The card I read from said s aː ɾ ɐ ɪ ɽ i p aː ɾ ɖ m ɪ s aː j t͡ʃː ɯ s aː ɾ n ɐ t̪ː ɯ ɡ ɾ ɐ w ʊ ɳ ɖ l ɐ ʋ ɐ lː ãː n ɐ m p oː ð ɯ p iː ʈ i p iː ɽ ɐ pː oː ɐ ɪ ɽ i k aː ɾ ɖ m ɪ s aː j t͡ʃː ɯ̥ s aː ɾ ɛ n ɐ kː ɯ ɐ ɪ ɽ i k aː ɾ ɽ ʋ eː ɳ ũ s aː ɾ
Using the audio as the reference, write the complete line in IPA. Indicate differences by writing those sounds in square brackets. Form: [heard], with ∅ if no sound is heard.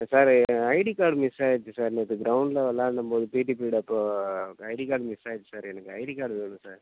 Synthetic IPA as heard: s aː ɾ ɐ ɪ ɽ i [k] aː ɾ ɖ m ɪ s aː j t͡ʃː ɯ s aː ɾ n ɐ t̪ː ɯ ɡ ɾ ɐ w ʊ ɳ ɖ l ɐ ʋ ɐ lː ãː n ɐ m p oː ð ɯ p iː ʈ i p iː ɽ ɐ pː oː ɐ ɪ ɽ i k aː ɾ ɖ m ɪ s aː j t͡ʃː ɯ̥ s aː ɾ ɛ n ɐ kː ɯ ɐ ɪ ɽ i k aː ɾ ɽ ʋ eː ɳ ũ s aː ɾ

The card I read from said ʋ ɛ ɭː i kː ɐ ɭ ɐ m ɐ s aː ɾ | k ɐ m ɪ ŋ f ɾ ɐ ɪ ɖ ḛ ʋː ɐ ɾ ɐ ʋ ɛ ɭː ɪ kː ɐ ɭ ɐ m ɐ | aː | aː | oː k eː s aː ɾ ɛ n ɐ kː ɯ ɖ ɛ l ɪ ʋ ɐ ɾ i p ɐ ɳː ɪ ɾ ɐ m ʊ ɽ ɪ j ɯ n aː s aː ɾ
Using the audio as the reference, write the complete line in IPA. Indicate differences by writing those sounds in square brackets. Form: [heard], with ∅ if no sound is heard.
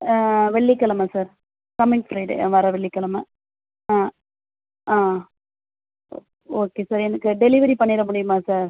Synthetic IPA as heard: ʋ ɛ ɭː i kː ɐ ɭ ɐ m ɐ s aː ɾ | k ɐ m ɪ ŋ f ɾ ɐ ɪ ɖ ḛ [ʋ] ɐ ɾ ɐ ʋ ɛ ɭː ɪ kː ɐ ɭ ɐ m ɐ | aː | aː | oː k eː s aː ɾ ɛ n ɐ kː ɯ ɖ ɛ l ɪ ʋ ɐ ɾ i p ɐ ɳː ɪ ɾ ɐ m ʊ ɽ ɪ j ɯ [m] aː s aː ɾ

